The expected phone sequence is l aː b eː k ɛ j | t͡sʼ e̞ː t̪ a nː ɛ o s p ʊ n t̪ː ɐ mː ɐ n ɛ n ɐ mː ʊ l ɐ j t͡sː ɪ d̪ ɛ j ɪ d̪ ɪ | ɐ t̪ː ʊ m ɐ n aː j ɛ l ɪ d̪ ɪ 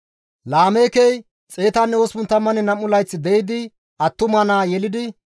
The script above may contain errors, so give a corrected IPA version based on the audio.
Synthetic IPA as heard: l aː m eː k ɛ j | t͡sʼ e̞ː t̪ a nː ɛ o s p ʊ n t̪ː ɐ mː ɐ n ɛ n ɐ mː ʊ l ɐ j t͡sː ɪ d̪ ɛ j ɪ d̪ ɪ | ɐ t̪ː ʊ m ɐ n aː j ɛ l ɪ d̪ ɪ